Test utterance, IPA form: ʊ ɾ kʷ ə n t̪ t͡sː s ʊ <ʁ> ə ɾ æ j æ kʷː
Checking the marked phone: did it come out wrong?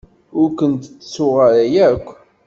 no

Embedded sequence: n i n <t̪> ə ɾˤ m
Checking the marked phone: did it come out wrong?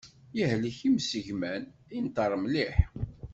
no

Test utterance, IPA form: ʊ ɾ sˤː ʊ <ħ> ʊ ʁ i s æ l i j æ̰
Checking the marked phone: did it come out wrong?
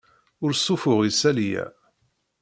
yes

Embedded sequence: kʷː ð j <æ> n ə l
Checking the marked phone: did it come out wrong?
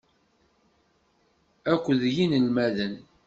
yes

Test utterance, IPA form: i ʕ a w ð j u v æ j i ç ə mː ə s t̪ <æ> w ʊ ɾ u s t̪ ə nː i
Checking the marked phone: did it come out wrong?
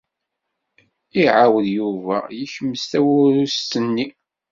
no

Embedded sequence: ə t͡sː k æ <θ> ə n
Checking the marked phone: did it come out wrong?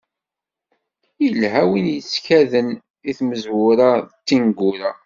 yes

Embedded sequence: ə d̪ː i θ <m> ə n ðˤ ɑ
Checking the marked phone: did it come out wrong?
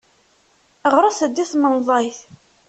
no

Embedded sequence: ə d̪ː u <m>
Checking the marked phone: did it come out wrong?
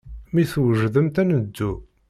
yes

